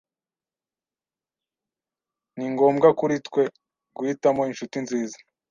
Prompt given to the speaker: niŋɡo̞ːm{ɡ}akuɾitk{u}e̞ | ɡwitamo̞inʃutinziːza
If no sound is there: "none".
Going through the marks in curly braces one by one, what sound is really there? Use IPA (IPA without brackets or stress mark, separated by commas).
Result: ɡ, w